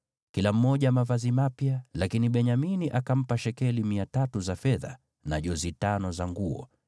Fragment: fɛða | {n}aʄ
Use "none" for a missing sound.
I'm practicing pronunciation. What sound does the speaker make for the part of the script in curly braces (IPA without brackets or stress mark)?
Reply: n